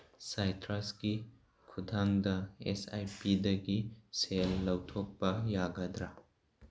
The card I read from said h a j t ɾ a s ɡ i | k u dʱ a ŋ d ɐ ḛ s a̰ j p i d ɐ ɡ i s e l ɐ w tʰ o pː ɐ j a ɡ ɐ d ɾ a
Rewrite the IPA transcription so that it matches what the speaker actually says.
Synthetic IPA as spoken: s a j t ɾ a s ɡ i | kʰ u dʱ a ŋ d ɐ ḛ s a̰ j p i d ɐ ɡ i s e lː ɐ w tʰ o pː ɐ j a ɡ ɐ d ɾ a